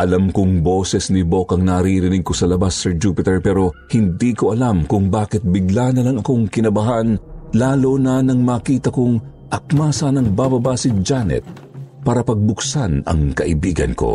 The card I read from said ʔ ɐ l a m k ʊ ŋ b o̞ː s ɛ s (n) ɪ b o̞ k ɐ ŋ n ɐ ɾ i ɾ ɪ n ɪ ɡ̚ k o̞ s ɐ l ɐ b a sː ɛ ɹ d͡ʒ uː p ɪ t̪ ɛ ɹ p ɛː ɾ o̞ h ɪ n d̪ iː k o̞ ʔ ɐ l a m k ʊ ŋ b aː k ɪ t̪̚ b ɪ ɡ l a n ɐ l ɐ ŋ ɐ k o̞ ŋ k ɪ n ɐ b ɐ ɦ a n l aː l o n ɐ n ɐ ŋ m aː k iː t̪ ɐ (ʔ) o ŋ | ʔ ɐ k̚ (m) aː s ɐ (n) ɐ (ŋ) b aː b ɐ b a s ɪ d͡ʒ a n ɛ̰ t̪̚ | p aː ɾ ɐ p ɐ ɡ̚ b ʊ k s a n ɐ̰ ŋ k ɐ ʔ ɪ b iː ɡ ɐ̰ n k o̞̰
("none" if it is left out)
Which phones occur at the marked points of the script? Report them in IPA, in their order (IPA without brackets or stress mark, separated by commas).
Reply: n, k, m, n, ŋ